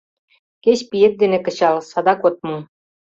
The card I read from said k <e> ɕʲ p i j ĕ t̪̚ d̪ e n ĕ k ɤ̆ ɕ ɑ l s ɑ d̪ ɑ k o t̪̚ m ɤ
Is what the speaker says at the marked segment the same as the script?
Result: yes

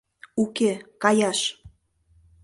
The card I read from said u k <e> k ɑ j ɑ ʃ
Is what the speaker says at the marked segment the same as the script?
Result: yes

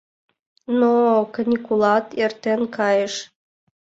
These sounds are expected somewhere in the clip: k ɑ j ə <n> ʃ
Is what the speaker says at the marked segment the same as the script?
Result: no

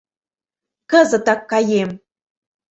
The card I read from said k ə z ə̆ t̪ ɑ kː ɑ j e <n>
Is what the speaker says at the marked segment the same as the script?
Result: no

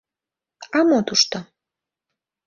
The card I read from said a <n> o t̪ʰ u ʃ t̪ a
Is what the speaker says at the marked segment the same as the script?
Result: no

